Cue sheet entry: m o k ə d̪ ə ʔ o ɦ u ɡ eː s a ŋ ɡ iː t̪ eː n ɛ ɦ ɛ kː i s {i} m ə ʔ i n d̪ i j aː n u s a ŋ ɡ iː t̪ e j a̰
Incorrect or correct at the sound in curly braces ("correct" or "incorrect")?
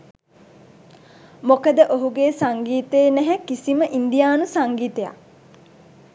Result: correct